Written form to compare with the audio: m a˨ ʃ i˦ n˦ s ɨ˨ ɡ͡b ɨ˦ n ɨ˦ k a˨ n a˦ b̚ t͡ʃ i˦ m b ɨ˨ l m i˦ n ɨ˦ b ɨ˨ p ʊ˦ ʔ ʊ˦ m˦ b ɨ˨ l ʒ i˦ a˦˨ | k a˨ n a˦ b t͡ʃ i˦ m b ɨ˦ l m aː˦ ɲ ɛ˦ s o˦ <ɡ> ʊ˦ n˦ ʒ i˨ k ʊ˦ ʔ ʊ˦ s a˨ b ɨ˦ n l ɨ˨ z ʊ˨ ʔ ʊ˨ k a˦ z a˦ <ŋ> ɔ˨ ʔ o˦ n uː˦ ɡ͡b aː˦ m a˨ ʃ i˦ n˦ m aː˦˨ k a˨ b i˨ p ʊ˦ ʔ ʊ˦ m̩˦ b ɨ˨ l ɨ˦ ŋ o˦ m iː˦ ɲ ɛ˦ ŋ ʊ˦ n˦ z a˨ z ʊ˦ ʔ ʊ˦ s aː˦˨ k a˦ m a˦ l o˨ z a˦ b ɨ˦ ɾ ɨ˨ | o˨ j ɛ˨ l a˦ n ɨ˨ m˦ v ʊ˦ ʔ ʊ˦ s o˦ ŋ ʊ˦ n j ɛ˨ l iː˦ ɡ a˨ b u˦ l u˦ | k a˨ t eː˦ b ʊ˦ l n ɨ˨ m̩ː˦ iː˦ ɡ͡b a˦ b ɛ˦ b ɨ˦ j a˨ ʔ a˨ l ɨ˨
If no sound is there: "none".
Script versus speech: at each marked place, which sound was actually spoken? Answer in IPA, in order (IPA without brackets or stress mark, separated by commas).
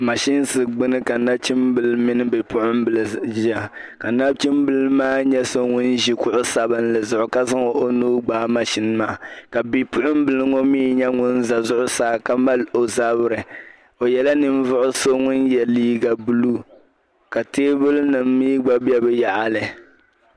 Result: ŋ, ŋ